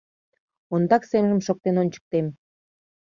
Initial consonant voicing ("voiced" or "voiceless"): voiced